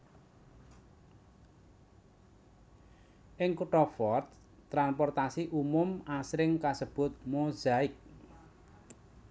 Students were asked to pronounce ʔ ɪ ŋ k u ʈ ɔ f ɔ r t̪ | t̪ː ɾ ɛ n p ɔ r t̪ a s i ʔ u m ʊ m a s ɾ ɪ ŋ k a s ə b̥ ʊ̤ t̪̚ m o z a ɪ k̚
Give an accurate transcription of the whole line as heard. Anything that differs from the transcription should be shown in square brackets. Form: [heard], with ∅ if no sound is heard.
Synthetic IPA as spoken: ʔ ɪ ŋ k u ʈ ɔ f ɔ r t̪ | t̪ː ɾ [a] n p ɔ r t̪ a s i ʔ u m ʊ m a s ɾ ɪ ŋ k a s ə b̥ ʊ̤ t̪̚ m o z a ɪ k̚